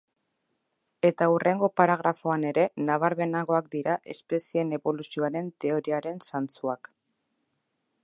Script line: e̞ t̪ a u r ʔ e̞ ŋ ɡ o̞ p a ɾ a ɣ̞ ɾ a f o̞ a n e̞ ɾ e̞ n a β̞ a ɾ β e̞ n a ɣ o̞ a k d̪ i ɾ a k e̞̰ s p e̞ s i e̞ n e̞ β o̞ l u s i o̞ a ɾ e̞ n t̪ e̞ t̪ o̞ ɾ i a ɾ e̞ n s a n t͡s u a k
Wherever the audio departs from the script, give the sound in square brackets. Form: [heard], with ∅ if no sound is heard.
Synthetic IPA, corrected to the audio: e̞ t̪ a u r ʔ e̞ ŋ ɡ o̞ p a ɾ a ɣ̞ ɾ a f o̞ a n e̞ ɾ e̞ n a β̞ a ɾ β e̞ n a ɣ o̞ a k d̪ i ɾ a [ʔ] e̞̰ s p e̞ s i e̞ n e̞ β o̞ l u s i o̞ a ɾ e̞ n t̪ e̞ [∅] o̞ ɾ i a ɾ e̞ n s a n t͡s u a k